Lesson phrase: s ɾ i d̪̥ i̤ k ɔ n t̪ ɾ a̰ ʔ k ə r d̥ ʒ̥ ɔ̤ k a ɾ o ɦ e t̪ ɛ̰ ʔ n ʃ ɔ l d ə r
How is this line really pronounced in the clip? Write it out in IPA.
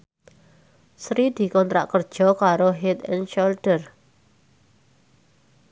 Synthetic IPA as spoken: s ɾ i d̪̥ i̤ k ɔ n t̪ ɾ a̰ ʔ k ə r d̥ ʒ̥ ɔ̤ k a ɾ o ɦ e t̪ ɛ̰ n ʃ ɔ l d ə r